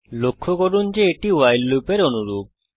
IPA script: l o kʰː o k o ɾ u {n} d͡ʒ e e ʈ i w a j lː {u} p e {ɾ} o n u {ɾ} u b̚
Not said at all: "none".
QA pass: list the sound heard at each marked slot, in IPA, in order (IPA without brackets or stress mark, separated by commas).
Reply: n, u, ɾ, ɾ